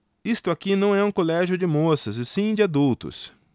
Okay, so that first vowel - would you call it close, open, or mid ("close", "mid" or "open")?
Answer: close